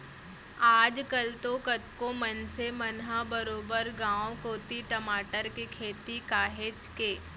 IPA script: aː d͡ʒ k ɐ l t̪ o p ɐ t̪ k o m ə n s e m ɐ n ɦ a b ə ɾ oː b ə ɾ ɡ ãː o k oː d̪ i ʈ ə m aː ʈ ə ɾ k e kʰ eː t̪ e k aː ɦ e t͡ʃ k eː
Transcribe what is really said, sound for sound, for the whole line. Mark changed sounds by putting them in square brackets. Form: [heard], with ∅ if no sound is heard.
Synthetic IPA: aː d͡ʒ k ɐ l t̪ o [k] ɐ t̪ k o m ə n s e m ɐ n ɦ a b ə ɾ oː b ə ɾ ɡ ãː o k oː [t̪] i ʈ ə m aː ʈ ə ɾ k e kʰ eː t̪ [i] k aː ɦ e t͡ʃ k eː